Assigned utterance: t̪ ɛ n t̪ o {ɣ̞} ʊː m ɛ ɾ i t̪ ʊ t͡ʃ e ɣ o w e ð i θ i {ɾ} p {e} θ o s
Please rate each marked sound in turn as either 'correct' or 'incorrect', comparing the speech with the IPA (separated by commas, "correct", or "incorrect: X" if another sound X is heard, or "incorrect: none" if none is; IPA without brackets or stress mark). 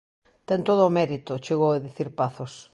incorrect: ð̞, correct, incorrect: a